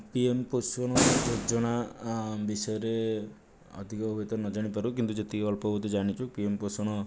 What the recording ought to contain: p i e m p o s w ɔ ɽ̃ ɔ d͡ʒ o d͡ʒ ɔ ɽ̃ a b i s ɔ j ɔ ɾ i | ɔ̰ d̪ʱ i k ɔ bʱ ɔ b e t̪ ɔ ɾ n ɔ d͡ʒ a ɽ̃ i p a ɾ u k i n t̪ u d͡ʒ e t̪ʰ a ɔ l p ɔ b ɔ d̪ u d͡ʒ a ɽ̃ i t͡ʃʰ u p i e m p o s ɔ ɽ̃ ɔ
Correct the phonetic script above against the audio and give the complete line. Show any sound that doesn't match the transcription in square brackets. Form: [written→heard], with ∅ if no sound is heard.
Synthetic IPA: p i e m p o s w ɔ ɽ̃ ɔ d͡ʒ o d͡ʒ ɔ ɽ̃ a b i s ɔ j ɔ ɾ [i→e] | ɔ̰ d̪ʱ i k ɔ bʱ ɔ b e t̪ ɔ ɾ n ɔ d͡ʒ a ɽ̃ i p a ɾ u k i n t̪ u d͡ʒ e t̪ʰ [a→i] ɔ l p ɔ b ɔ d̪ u d͡ʒ a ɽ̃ i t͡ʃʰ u p i e m p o s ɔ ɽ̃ ɔ